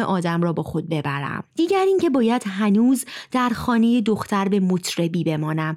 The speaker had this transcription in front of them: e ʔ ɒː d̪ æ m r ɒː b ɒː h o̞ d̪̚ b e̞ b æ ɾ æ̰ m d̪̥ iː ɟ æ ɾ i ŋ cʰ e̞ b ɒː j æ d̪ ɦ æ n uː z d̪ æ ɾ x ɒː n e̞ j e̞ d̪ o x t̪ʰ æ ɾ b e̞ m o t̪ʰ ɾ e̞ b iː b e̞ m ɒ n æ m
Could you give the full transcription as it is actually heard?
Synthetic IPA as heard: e ʔ ɒː d̪ æ m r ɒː b ɒː x o̞ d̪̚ b e̞ b æ ɾ æ̰ m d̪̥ iː ɟ æ ɾ i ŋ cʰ e̞ b ɒː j æ d̪ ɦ æ n uː z d̪ æ ɾ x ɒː n e̞ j e̞ d̪ o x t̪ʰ æ ɾ b e̞ m o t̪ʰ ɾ e̞ b iː b e̞ m ɒː n æ m